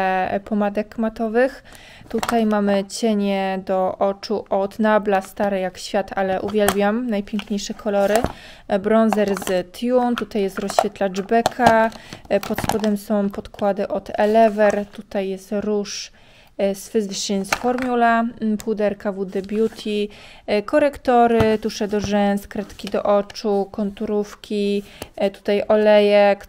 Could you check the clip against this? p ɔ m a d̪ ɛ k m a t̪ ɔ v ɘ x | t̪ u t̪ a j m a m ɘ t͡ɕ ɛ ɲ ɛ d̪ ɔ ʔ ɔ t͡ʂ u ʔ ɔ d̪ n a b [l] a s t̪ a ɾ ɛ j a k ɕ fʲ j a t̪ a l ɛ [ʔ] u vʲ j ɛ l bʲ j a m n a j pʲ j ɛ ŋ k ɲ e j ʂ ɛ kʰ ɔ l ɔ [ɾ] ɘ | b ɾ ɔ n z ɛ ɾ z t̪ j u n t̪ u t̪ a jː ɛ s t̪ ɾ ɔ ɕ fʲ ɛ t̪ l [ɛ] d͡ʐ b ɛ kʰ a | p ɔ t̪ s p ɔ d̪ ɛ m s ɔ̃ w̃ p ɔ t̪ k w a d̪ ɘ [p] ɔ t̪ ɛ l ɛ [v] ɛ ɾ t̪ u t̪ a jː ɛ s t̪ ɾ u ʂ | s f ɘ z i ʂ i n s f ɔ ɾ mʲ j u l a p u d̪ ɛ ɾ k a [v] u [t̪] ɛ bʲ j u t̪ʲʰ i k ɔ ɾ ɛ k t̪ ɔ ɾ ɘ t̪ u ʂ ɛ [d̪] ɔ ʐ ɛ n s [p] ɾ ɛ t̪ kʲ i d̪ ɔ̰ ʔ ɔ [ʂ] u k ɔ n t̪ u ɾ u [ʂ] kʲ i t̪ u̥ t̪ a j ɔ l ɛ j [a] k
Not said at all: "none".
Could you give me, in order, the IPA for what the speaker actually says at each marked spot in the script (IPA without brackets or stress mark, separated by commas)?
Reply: l, ʔ, ɾ, a, ʔ, v, v, d̪, d̪, k, t͡ʂ, f, ɛ